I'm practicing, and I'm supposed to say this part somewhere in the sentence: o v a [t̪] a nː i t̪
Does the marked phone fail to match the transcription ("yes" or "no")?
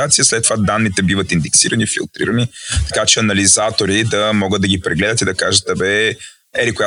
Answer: yes